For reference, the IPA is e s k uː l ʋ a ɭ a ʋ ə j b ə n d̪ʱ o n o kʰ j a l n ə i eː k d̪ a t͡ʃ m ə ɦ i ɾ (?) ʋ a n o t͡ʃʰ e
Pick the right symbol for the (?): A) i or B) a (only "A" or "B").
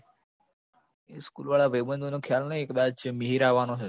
B